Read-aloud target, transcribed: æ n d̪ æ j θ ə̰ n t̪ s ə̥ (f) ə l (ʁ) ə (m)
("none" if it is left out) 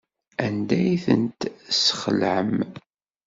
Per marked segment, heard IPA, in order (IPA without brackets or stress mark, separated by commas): χ, ʕ, m